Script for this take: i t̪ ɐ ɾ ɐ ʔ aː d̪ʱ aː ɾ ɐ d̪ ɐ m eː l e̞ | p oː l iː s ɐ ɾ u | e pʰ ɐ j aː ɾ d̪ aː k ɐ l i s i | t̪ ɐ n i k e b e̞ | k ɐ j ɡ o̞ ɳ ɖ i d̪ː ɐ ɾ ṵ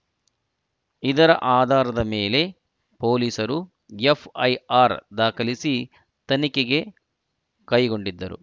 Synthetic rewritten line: i d̪ ɐ ɾ ɐ ʔ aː d̪ʱ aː ɾ ɐ d̪ ɐ m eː l e̞ | p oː l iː s ɐ ɾ u | e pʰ ɐ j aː ɾ d̪ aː k ɐ l i s i | t̪ ɐ n i k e ɡ e̞ | k ɐ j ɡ o̞ ɳ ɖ i d̪ː ɐ ɾ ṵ